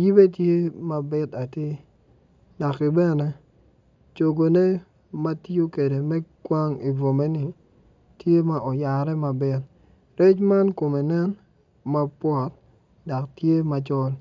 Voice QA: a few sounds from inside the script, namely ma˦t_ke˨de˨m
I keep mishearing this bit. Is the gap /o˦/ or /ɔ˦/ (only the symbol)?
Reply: o˦